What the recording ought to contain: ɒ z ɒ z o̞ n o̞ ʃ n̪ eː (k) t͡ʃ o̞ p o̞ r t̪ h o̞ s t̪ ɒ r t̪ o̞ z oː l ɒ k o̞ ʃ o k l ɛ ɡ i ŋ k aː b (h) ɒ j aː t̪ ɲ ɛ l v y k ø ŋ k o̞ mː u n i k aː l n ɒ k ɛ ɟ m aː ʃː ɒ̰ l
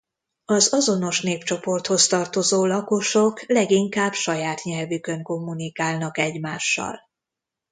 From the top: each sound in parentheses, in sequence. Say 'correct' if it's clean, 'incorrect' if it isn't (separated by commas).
incorrect, incorrect